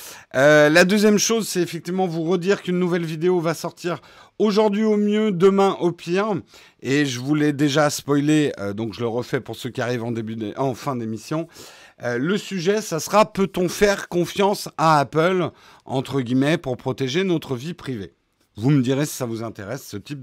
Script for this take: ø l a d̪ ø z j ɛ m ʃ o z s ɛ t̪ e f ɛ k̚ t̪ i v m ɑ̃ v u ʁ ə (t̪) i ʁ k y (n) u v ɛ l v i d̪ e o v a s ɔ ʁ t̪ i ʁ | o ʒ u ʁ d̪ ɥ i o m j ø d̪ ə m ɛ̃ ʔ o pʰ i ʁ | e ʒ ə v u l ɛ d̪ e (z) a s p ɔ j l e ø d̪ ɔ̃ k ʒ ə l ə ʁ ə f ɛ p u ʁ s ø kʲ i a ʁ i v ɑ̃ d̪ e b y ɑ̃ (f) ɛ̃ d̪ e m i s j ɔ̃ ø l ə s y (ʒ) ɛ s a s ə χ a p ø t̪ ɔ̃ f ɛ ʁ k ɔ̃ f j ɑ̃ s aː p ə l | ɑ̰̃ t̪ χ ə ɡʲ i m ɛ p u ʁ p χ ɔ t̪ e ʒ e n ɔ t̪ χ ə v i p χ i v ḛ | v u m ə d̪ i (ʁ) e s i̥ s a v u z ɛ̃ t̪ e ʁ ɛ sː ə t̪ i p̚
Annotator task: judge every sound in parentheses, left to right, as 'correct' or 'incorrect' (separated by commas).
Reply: incorrect, incorrect, incorrect, correct, correct, correct